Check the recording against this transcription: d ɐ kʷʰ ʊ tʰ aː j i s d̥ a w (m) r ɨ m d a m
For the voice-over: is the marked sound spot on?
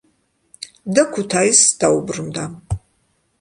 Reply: no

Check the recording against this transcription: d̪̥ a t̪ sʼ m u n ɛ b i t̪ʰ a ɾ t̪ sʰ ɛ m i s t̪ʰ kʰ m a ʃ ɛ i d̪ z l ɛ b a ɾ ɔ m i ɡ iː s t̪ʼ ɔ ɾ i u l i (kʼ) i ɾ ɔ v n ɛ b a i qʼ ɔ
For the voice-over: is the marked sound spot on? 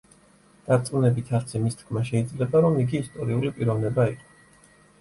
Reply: no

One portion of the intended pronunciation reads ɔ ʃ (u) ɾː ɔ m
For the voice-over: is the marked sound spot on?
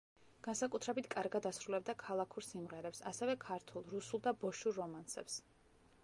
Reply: yes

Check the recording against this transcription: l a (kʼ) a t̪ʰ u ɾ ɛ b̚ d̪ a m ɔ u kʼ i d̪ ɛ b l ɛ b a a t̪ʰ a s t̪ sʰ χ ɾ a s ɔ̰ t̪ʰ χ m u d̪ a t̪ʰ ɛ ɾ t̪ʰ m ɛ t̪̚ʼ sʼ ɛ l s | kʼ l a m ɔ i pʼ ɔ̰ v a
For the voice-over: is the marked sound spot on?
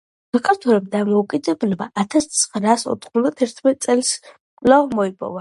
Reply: yes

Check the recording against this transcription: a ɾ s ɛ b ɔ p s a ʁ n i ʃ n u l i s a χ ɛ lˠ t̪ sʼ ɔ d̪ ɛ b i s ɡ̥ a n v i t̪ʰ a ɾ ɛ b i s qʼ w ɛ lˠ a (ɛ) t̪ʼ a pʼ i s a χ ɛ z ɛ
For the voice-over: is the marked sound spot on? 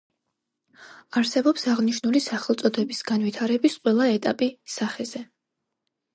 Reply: yes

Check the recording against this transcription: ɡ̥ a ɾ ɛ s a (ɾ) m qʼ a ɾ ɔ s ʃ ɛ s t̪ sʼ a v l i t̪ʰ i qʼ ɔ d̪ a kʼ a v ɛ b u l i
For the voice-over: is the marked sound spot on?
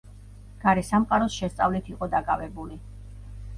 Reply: no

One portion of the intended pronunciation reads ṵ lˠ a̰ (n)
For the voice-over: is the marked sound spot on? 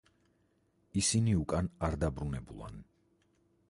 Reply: yes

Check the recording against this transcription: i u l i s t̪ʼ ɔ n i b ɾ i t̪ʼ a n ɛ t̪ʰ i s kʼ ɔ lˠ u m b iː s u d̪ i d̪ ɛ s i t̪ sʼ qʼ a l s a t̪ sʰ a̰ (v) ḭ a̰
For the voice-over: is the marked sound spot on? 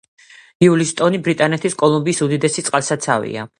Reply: yes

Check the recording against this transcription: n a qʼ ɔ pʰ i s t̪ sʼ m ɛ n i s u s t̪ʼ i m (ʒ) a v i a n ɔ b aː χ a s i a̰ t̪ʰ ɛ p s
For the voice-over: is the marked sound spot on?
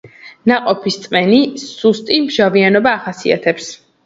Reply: yes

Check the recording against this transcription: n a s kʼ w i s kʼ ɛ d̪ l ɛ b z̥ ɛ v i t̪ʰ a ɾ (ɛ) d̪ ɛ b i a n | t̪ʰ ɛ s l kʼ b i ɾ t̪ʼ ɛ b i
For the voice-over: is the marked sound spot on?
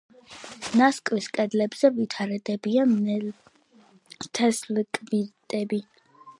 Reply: yes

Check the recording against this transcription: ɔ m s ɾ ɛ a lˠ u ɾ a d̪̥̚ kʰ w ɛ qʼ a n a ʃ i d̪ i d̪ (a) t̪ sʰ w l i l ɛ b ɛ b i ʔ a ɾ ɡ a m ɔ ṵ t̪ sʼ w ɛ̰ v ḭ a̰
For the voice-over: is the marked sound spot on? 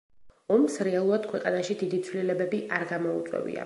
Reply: no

